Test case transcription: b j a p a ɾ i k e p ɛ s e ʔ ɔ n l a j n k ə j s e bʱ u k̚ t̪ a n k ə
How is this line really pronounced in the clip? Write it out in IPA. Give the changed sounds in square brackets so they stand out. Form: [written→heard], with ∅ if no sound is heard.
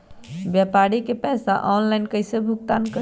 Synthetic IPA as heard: b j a p a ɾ i k e p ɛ s [e→a] ʔ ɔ n l a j n k ə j s e bʱ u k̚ t̪ a n k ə